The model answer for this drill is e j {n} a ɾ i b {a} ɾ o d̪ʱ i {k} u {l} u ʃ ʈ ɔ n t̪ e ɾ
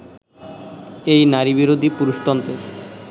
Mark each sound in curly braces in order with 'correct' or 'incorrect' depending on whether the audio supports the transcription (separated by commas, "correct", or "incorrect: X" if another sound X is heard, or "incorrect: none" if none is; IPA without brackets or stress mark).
correct, incorrect: i, incorrect: p, incorrect: ɾ